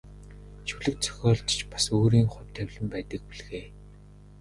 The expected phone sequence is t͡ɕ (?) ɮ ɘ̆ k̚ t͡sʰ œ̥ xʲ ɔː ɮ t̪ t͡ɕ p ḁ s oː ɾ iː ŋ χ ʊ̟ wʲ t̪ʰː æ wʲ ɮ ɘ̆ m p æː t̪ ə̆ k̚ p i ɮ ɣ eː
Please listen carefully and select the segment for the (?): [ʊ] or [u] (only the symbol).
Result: u